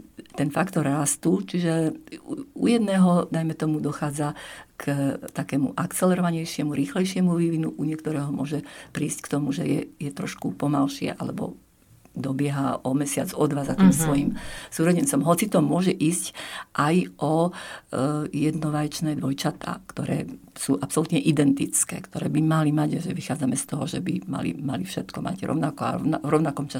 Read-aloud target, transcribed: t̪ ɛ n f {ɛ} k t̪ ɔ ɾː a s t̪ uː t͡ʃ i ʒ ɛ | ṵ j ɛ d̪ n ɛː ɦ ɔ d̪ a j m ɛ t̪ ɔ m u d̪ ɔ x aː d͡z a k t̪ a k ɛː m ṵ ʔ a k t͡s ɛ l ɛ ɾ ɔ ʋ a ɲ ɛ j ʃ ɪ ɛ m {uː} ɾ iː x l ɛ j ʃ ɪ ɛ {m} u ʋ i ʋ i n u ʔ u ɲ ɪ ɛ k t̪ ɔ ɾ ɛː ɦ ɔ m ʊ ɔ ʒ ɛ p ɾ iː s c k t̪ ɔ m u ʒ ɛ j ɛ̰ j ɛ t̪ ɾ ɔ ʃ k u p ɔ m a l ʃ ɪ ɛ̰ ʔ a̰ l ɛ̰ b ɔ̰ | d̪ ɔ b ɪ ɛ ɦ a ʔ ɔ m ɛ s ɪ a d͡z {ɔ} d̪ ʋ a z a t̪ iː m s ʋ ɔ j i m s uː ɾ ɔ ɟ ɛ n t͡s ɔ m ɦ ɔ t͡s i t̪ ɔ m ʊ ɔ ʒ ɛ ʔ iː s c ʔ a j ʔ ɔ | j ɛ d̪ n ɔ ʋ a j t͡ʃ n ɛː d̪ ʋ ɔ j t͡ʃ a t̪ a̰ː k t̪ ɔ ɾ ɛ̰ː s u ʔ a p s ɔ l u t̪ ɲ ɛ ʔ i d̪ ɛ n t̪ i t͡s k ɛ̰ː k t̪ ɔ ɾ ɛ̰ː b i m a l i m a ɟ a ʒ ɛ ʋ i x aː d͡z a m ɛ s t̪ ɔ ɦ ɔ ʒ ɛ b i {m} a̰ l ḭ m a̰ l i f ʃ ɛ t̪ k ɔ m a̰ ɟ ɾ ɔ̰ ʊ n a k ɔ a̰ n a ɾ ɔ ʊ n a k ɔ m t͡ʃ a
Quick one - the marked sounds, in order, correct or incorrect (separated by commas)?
incorrect, incorrect, correct, correct, correct